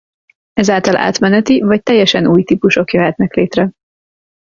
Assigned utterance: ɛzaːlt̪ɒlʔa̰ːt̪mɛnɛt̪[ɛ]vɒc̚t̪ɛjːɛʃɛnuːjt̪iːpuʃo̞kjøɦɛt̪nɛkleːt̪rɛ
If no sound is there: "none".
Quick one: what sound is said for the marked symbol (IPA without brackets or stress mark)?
i